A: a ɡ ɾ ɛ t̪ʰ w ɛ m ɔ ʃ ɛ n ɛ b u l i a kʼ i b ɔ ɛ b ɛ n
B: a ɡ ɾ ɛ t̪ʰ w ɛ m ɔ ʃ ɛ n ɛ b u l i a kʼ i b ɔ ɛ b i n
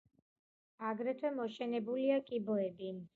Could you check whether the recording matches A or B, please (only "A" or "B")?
B